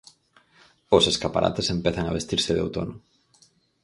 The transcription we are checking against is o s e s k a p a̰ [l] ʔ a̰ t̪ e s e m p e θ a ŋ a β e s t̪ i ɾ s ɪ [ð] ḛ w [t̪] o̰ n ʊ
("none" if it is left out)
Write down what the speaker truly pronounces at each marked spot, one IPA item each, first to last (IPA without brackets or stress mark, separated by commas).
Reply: ɾ, ð, t̪